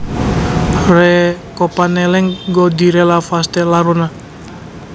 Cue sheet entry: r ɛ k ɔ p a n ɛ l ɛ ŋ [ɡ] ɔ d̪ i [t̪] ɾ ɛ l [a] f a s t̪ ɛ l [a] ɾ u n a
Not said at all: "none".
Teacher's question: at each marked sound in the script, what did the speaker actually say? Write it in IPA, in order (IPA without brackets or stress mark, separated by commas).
ɡ, none, a, a